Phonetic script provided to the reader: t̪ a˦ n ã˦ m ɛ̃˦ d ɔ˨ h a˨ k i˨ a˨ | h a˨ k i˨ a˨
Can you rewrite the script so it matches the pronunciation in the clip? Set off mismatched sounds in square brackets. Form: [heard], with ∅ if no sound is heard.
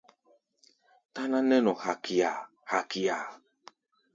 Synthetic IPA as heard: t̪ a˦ n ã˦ [n] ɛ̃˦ [n] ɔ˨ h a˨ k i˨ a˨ | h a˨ k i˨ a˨

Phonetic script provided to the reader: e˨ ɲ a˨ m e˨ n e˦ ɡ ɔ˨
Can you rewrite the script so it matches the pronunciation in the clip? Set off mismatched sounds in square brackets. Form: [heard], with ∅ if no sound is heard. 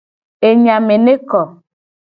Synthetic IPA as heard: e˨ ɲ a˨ m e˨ n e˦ [k] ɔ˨

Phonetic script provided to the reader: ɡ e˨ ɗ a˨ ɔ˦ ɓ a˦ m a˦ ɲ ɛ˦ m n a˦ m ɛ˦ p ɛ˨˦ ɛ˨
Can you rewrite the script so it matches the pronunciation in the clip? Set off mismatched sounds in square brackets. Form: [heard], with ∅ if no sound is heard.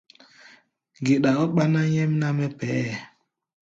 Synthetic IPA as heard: ɡ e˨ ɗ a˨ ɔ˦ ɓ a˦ [n] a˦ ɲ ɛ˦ m n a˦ m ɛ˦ p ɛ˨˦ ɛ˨

